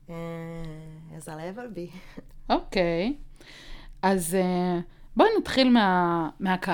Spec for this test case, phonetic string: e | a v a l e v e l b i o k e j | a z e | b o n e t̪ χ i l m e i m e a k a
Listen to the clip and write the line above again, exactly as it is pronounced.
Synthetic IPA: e | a z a l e v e l b i o k e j | a z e | b o n a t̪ χ i l m e a m e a k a